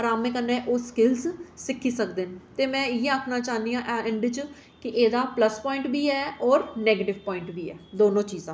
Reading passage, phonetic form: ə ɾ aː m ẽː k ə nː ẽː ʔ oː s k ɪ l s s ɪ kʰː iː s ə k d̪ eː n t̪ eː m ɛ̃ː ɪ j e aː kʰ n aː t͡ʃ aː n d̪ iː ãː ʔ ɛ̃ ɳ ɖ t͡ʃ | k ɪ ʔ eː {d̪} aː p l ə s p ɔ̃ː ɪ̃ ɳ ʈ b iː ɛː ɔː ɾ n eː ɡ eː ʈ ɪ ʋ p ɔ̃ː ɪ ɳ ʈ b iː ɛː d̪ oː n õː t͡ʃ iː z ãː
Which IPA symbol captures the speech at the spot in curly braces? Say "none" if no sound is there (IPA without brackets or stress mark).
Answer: d̪